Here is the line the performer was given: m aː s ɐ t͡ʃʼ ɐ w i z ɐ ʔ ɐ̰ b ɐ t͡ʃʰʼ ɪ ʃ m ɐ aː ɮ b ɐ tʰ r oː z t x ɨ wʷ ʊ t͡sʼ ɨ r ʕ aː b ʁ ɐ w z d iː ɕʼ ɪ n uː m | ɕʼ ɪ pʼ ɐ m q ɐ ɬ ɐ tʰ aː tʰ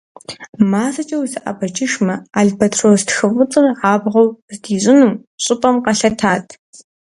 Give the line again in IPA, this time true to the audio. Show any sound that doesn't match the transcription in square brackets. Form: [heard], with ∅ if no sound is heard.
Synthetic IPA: m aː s ɐ t͡ʃʼ ɐ w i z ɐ ʔ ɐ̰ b ɐ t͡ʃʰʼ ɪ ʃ m ɐ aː ɮ b ɐ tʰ r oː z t x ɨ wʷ ʊ t͡sʼ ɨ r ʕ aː b ʁ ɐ w z d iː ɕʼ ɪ n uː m | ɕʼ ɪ pʼ ɐ m q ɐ ɬ ɐ tʰ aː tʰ